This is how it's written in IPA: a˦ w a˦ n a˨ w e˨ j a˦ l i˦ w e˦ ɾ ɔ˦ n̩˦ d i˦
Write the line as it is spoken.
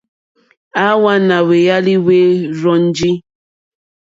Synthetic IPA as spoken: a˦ w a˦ n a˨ w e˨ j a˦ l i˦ w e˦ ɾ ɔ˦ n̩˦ d͡ʒ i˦